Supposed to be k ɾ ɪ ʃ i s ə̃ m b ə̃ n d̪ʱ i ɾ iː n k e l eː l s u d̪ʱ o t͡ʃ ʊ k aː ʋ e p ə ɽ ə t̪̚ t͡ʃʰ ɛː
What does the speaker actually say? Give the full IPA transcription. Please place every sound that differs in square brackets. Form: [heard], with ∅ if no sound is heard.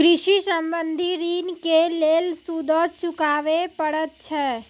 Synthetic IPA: k ɾ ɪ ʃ i s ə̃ m b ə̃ n d̪ʱ i ɾ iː n k e l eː l s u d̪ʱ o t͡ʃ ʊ k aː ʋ e p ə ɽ ə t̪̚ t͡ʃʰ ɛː